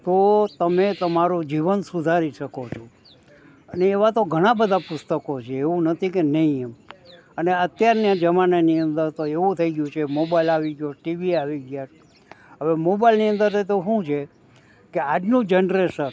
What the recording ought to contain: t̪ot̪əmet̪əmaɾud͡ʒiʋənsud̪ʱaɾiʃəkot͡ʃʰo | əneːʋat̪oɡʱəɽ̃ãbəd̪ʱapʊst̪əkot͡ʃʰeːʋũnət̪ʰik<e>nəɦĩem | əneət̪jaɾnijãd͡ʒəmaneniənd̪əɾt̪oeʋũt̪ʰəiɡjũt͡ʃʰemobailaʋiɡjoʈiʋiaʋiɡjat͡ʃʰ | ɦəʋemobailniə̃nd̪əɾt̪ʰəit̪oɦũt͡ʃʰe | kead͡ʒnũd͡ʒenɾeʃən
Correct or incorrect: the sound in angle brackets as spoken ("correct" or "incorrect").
correct